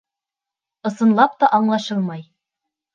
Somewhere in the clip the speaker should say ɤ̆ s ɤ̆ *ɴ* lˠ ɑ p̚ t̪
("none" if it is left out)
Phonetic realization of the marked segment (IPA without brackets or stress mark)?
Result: n